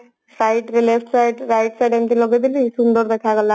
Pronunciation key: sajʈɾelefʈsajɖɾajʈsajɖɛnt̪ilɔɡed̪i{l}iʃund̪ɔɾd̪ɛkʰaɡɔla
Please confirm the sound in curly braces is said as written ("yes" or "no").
yes